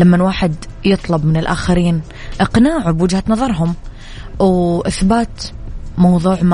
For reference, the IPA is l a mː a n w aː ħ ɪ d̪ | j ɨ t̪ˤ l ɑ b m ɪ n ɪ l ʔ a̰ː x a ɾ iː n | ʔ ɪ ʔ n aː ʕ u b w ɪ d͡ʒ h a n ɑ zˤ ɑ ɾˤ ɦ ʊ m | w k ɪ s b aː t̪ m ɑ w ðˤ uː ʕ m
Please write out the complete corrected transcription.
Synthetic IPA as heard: l a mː a n w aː ħ ɪ d̪ | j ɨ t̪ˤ l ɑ b m ɪ n ɪ l ʔ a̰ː x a ɾ iː n | ʔ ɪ q n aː ʕ u b w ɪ d͡ʒ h a n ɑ ðˤ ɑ ɾˤ ɦ ʊ m | w ʔ ɪ θ b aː t̪ m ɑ w ðˤ uː ʕ m